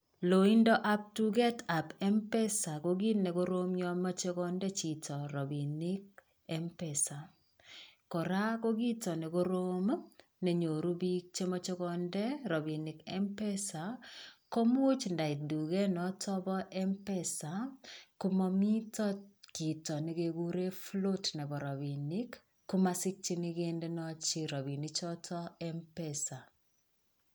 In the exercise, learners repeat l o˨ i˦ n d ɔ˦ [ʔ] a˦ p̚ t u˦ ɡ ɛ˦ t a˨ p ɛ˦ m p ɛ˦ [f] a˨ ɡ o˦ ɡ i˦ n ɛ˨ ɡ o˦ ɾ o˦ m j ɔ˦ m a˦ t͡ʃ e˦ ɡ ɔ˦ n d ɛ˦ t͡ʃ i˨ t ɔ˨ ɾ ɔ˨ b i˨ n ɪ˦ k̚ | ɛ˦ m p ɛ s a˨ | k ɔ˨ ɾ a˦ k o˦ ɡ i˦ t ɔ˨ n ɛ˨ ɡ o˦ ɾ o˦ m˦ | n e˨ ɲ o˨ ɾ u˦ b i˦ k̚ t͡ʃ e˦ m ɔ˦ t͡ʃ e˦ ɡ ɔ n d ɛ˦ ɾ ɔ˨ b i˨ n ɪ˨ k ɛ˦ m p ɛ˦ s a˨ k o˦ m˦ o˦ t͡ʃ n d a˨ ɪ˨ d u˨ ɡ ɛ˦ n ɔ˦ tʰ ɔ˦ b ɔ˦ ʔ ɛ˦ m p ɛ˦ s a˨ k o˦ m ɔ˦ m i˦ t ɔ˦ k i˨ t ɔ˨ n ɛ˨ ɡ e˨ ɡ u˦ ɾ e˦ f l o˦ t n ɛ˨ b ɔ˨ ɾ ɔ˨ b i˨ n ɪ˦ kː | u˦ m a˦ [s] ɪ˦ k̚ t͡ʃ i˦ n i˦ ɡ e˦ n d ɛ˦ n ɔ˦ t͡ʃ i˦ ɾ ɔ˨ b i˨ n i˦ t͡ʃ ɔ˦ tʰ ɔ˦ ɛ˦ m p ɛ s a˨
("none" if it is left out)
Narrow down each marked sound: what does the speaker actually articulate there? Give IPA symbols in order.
ʔ, s, s

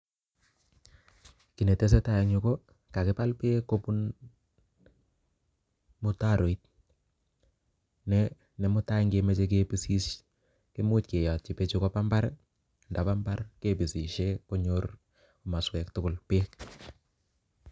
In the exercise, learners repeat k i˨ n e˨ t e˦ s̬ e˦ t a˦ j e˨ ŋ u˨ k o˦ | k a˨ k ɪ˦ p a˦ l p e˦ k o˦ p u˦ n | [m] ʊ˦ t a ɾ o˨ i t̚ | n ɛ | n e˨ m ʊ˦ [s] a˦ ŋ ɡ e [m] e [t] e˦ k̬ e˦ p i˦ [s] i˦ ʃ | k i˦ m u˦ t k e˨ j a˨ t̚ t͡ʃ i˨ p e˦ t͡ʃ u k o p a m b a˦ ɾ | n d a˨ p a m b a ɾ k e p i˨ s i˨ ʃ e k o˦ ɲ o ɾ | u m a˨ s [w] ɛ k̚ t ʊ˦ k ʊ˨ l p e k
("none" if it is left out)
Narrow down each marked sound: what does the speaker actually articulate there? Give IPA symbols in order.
m, t, m, t͡ʃ, s, w

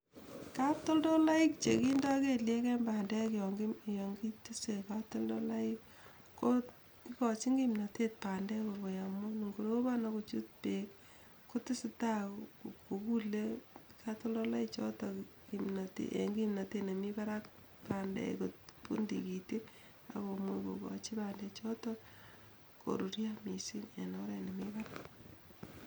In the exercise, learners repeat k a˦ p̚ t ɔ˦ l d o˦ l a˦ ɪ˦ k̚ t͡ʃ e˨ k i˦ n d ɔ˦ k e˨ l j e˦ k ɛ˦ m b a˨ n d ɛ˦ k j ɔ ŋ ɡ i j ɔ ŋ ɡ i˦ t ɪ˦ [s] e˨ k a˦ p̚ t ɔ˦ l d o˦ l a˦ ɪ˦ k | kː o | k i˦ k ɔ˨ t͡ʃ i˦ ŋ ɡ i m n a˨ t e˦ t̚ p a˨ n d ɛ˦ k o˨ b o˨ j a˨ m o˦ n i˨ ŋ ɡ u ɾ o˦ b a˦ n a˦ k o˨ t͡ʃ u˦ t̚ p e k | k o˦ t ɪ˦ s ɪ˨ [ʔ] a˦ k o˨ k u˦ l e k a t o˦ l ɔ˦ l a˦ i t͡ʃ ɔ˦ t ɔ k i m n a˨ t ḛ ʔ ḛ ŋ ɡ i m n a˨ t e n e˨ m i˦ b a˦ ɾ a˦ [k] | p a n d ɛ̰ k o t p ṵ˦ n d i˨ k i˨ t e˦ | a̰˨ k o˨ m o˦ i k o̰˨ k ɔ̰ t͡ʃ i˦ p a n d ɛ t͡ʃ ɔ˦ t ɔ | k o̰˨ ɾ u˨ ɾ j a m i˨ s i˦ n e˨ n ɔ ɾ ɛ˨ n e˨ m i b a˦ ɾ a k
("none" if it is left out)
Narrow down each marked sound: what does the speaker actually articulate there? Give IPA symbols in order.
s, t, k

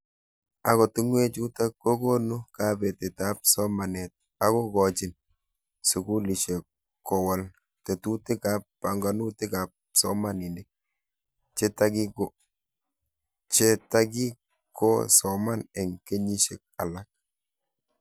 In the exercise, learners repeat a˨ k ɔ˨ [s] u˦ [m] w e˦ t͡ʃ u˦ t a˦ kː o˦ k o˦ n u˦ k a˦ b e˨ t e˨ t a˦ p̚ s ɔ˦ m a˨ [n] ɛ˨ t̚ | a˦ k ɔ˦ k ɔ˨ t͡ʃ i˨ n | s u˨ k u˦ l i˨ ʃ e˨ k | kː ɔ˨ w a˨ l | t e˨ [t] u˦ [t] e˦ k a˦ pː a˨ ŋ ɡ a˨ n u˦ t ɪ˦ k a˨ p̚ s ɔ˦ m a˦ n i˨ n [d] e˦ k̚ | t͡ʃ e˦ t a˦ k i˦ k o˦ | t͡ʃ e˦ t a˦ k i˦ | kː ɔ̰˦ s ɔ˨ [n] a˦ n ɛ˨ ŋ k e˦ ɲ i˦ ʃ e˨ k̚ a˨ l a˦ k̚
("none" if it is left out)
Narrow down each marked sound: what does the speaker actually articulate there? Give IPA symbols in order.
t, ŋ, n, t, t, d, m

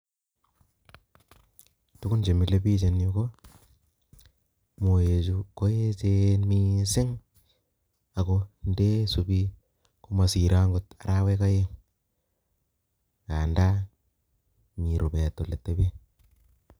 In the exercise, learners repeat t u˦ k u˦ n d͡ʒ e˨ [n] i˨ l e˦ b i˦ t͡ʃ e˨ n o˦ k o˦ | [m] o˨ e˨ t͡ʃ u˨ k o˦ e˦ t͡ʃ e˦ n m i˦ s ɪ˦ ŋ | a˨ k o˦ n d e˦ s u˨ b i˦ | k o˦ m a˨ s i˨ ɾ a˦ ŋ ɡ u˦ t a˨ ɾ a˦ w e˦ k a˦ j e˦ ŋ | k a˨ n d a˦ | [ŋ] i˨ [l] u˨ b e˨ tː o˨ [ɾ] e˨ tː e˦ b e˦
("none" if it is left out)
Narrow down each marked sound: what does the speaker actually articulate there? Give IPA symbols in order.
m, m, m, ɾ, l

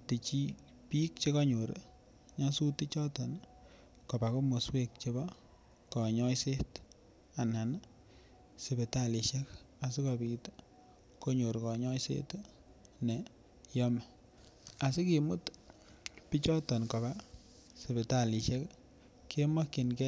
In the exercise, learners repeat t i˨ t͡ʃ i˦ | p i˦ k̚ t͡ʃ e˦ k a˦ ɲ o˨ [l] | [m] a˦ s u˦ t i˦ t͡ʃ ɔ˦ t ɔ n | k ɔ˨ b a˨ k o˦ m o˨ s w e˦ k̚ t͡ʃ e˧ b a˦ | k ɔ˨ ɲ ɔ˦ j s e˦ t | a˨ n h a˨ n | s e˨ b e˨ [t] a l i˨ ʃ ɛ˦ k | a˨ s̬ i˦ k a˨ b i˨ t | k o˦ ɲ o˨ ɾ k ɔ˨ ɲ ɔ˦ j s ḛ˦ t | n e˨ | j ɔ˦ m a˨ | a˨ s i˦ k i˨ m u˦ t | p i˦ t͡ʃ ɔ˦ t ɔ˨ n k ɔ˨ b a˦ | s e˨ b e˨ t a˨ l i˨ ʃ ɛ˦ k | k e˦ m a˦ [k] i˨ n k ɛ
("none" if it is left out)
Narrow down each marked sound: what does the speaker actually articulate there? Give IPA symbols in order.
ɾ, ɲ, t, k

